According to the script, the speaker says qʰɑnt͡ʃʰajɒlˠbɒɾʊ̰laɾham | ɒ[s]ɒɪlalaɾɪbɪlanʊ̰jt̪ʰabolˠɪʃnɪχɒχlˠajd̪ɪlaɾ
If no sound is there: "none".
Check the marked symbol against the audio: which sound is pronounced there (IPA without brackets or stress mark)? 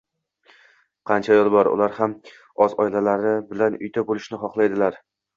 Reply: z